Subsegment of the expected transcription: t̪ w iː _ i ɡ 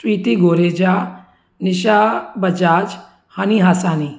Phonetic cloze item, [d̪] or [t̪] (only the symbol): t̪